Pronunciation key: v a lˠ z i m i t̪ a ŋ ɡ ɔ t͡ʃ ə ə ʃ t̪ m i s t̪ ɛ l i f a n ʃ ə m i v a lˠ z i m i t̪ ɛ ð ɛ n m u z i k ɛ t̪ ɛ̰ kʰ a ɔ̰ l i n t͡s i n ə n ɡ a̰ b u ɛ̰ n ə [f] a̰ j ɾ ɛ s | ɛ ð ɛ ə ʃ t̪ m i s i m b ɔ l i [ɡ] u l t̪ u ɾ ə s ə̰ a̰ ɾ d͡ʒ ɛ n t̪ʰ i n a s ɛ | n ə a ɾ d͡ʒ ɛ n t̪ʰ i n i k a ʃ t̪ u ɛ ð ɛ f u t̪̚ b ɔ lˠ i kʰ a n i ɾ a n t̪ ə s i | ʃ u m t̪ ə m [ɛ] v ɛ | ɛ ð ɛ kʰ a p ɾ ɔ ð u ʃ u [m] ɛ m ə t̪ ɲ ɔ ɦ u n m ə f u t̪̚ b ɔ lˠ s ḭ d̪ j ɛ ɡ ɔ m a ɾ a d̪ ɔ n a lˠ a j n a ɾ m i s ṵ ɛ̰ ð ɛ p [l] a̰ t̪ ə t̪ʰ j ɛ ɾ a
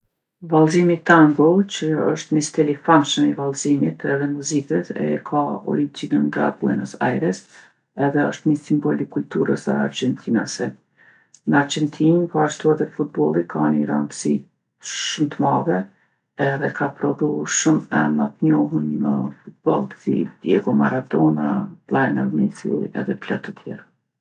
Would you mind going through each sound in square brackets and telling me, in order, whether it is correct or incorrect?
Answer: incorrect, incorrect, incorrect, correct, correct

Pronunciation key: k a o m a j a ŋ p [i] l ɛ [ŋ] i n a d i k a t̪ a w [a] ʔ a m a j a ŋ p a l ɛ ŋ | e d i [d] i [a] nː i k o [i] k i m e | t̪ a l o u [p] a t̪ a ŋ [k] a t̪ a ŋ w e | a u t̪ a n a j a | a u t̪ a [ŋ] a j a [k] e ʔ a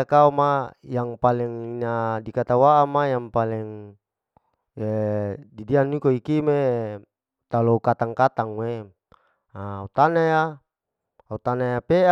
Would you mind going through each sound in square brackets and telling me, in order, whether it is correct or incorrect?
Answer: incorrect, correct, correct, correct, correct, correct, incorrect, correct, incorrect, incorrect

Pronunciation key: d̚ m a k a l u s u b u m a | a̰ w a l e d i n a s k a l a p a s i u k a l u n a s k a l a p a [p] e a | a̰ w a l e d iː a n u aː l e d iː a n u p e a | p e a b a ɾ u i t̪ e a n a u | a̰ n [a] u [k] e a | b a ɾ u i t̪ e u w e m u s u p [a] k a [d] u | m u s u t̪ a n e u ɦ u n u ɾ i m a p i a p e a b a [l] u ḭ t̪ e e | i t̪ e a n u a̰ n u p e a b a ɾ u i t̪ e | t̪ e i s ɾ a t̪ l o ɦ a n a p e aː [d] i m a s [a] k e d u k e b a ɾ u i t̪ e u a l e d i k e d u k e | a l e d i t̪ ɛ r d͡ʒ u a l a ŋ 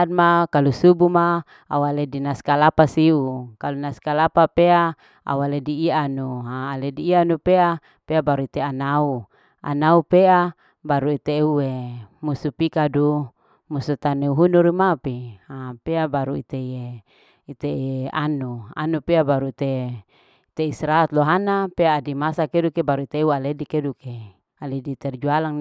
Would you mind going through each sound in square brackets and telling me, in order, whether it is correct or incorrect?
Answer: correct, correct, incorrect, incorrect, correct, incorrect, correct, correct

